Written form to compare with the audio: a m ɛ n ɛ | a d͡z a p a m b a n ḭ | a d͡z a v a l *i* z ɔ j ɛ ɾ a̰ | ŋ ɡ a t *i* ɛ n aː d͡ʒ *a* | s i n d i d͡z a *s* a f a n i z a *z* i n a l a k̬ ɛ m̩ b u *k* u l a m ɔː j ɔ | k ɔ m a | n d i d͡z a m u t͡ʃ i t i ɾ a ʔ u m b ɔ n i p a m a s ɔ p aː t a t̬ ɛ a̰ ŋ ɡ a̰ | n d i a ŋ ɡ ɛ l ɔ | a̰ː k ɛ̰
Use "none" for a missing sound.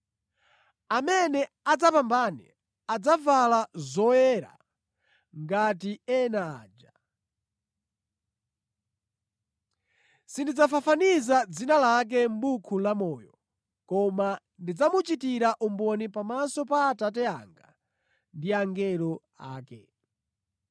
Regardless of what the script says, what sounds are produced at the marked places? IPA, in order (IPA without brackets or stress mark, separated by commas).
a, i, a, f, d͡z, kʰ